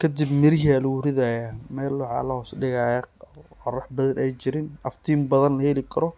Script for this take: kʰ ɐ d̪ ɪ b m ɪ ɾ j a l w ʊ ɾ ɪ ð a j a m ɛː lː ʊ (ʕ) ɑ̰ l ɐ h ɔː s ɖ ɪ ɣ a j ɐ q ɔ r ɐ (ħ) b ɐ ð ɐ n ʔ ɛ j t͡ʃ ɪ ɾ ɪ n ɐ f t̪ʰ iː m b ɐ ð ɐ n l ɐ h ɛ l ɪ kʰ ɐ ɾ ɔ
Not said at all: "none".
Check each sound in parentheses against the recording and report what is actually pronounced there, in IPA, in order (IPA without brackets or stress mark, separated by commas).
ʕ, ħ